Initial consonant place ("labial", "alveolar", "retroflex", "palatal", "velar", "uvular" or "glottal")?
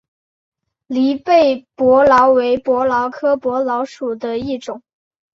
alveolar